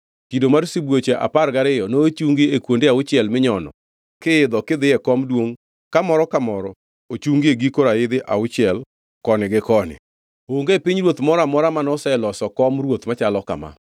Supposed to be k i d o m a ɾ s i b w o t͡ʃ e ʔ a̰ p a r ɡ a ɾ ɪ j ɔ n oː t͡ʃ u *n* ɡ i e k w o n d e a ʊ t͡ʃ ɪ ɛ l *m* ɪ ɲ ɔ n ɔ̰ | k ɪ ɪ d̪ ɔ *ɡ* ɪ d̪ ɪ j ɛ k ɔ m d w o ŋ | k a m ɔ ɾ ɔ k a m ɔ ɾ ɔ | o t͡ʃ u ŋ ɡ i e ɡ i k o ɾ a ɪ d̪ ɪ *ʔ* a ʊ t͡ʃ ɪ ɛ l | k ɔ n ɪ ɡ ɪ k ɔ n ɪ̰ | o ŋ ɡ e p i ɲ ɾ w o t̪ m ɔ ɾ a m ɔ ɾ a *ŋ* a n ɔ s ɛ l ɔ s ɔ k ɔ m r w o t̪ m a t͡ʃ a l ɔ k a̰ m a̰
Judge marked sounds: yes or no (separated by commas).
no, yes, no, yes, no